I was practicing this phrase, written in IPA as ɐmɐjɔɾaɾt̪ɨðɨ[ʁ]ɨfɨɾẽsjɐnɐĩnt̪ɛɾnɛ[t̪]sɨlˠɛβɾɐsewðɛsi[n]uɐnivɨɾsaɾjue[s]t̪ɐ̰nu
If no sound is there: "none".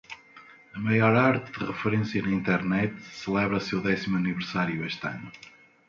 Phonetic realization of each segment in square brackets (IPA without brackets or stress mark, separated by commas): ʁ, t̪, m, ʃ